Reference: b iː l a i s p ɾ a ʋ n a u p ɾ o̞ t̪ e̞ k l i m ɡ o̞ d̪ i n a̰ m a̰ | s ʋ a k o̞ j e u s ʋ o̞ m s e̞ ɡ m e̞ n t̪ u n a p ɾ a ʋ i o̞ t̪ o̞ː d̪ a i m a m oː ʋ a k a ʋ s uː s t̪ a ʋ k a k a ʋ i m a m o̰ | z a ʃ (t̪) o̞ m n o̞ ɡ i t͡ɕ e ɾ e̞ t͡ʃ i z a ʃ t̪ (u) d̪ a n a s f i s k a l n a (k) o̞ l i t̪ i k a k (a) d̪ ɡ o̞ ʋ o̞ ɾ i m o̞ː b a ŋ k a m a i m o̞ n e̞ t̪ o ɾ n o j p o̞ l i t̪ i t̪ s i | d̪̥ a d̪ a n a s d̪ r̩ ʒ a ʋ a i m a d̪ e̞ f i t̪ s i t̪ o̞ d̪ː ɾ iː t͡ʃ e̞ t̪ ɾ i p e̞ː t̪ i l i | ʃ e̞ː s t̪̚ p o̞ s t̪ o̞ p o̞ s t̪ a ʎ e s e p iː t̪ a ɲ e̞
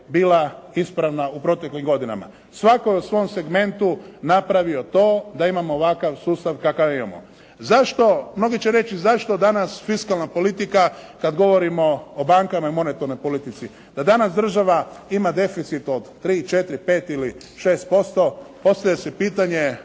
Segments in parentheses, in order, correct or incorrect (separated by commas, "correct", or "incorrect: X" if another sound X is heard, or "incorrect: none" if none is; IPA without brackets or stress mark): correct, incorrect: o, incorrect: p, correct